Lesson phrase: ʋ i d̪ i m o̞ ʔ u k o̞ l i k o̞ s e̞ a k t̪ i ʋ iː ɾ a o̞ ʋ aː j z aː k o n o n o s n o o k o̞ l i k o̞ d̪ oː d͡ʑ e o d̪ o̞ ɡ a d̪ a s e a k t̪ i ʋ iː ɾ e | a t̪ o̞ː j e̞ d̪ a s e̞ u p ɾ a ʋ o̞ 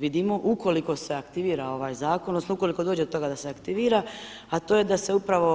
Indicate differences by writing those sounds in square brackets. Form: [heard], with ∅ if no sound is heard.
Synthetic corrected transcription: ʋ i d̪ i m o̞ ʔ u k o̞ l i k o̞ s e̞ a k t̪ i ʋ iː ɾ a o̞ ʋ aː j z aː k o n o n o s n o [u] k o̞ l i k o̞ d̪ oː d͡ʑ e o [t̪] o̞ ɡ a d̪ a s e a k t̪ i ʋ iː ɾ [a] | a t̪ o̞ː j e̞ d̪ a s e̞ u p ɾ a ʋ o̞